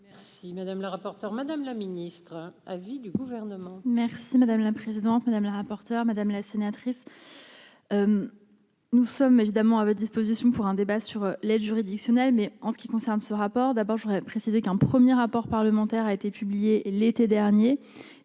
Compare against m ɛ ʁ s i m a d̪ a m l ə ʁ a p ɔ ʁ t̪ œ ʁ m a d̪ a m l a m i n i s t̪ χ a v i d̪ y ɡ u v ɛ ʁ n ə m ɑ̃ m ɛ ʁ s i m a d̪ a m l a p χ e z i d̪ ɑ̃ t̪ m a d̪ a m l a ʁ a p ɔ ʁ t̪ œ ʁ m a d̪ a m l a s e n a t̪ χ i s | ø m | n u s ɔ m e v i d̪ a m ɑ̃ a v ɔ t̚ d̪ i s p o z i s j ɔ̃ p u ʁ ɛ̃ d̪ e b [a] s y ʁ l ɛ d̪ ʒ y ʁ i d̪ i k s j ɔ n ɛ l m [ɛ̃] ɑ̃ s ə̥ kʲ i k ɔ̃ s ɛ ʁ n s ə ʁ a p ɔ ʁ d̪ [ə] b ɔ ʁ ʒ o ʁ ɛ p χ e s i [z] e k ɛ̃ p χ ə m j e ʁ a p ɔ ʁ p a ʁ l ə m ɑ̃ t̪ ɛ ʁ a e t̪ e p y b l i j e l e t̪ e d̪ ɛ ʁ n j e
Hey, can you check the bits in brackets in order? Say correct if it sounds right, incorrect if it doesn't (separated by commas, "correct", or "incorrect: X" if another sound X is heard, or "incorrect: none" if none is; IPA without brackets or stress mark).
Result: correct, incorrect: ɛ, incorrect: a, correct